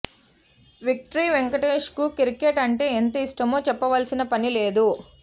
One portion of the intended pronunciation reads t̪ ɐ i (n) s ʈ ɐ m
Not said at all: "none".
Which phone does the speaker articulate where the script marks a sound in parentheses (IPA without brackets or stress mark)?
none